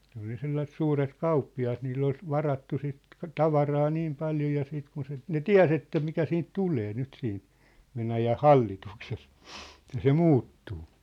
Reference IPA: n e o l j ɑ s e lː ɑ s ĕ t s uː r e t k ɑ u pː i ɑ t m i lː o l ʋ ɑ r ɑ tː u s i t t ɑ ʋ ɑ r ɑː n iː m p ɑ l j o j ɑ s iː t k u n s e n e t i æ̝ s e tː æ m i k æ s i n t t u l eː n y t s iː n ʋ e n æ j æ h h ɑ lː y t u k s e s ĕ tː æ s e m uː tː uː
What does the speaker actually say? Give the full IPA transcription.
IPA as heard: n e o l j ɑ s e lː ɑ s ĕ t s uː r e t k ɑ u pː i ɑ t n i lː o l ʋ ɑ r ɑ tː u s i t t ɑ ʋ ɑ r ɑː n iː m p ɑ l j o j ɑ s iː t k u n s e n e t i æ̝ s e tː æ m i k æ s iː n t t u l eː n y t s iː n ʋ e n æ j æ h h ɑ lː i t u k s e s ĕ tː æ s e m uː tː uː

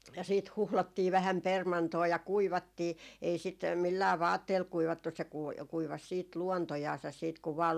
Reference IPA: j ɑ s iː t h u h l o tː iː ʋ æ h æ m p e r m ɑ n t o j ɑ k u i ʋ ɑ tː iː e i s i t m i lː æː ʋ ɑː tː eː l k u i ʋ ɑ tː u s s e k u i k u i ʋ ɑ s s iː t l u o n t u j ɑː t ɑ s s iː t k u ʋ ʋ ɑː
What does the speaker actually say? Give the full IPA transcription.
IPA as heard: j ɑ s iː t h u h l o tː iː ʋ æ h æ m p e r m ɑ n t oː j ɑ k u i ʋ ɑ tː iː e i s i t m i lː æː ʋ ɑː tː eː l k u i ʋ ɑ tː u s s e k u i k u i ʋ ɑ s s iː t l u o n t o j ɑː s ɑ s s iː t k u ʋ ʋ ɑː

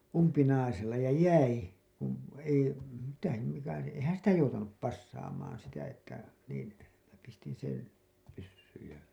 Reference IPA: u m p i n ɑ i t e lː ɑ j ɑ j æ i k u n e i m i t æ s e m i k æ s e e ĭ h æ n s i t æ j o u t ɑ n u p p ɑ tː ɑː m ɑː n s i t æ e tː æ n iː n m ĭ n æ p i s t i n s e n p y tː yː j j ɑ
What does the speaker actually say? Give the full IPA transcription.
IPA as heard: u m p i n ɑ i s e lː ɑ j ɑ j æ i k u n e i m i t æ s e m i k æ s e e ĭ h æ n s i t æ j o u t ɑ n u p p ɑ sː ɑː m ɑː n s i t æ e tː æ n iː n m ĭ n æ p i s t i n s e n p y sː yː j j ɑ

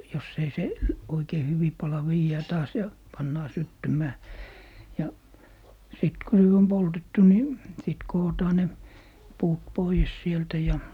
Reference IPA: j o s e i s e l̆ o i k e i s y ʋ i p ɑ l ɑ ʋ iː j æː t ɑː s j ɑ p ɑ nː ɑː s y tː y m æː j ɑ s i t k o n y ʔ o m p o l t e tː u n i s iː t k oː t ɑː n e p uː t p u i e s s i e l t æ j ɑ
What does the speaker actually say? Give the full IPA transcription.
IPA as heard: j o s e i s e l̆ o i k e i h y ʋ i p ɑ l ɑ ʋ iː j æː t ɑː s j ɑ p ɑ nː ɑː s y tː y m æː j ɑ s i t k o n y t o m p o l t e tː u n i s i t k oː t ɑː n e p uː t p o i e s s i e l t æ j ɑ

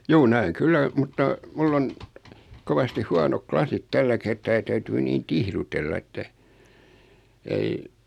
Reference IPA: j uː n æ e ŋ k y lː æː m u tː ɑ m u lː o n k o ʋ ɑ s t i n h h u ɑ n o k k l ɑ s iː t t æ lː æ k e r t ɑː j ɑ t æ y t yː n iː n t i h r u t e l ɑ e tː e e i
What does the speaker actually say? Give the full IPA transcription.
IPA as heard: j uː n æ e ŋ k y lː æ m u tː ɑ m u lː o n k o ʋ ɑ s t i h h u ɑ n o k k l ɑ s i t t æ lː æ k e r t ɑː j ɑ t æ y t yː n iː n t i h r u t e lː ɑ e tː æ e i

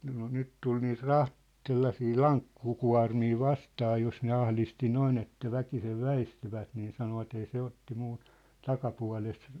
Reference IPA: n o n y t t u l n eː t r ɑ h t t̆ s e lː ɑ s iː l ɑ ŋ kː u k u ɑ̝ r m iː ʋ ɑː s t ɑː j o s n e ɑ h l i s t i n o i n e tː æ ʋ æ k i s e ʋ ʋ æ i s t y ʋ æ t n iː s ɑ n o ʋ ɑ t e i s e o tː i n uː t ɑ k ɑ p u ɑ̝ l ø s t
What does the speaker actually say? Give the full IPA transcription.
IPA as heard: n o n y t t u l n iː t r ɑ h t t̆ s e lː ɑ s iː l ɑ ŋ kː u k u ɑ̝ r m iː ʋ ɑ s t ɑː j o s n e ɑ h l i s t i n o i n e tː æ ʋ æ k i s e ʋ ʋ æ i s t y ʋ æ t n iː s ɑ n o ʋ ɑ t e i s e o tː i m uː t ɑ k ɑ p u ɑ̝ l e s t

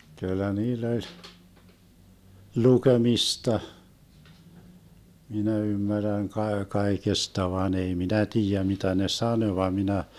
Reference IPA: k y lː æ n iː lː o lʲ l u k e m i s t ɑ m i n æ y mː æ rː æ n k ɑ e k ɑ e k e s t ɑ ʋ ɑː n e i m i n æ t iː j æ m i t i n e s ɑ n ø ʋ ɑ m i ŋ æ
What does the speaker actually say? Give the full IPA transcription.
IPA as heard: k y lː æ n iː lː o lʲ l u k e m i s t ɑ m i n æ y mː æ rː æ n k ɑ e k ɑ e k e s t ɑ ʋ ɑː n e i m i n æ t iː j æ m i t æ n e s ɑ n ø ʋ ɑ m i n æ

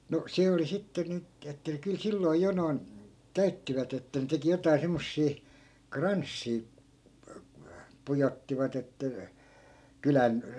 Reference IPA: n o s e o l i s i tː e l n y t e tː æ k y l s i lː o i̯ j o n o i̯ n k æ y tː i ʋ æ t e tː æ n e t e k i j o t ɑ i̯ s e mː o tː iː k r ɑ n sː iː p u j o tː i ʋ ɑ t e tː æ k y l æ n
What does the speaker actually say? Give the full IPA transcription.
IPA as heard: n o s e o l i s i tː e n y t e tː æ k y l s i lː o i̯ j o n o i̯ n k æ y tː i ʋ æ t e tː æ n e t e k i j o t ɑ i̯ s e mː o sː iː k r ɑ n sː iː p u j o tː i ʋ ɑ t e tː æ k y l æ n

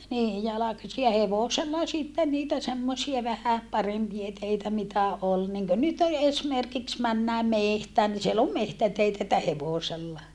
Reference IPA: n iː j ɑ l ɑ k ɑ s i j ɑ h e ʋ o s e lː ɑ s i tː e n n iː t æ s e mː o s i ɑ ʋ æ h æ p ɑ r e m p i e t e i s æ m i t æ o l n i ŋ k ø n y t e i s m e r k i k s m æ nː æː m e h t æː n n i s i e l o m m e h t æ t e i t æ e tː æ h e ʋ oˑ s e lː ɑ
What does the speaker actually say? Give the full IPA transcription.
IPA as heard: n iː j ɑ l ɑ k ɑ s i j ɑ h e ʋ o s e lː ɑ s i tː e n n iː t æ s e mː o s i ɑ ʋ æ h æ p ɑ r e m p i e t e i t æ m i t æ o l n i ŋ k ø n y t e e s m e r k i k s m æ nː æː m e h t æː n n i s i e l o m m e h t æ t e i t æ e tː æ h e ʋ oˑ s e lː ɑ

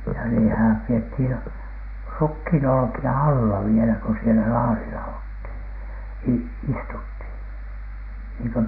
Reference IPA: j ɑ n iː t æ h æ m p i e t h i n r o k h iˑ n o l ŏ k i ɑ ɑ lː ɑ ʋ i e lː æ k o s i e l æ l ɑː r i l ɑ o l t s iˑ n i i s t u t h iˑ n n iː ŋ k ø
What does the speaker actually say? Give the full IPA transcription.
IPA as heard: j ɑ n iː t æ h æ m p i e t h i n r u k h iˑ n o l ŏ k i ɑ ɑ lː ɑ ʋ i e l æ k o s i e l æ l ɑː r i l ɑ o l t h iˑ n i i s t u t h iˑ n n iː ŋ k ø

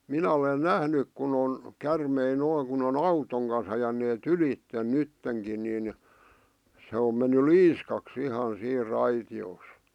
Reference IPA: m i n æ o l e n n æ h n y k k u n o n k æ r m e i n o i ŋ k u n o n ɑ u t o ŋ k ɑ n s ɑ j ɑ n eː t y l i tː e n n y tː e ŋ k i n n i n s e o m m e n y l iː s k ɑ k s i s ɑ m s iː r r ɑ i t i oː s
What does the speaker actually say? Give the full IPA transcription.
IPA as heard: m i n æ o l e n n æ h n y k k u n o n k æ r m e i n o i ŋ k u n o n ɑ u t o ŋ k ɑ n s ɑ j ɑ n eː t y l i tː e n n y tː e ŋ k i n n i n s e o m m e nː y l iː s k ɑ k s i h ɑ n s iː r r ɑ i t i oː s

